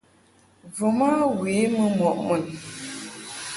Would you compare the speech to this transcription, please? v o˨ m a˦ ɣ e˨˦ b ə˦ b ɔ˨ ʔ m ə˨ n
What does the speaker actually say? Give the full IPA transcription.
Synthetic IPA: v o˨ m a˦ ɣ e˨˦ m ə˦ m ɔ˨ ʔ m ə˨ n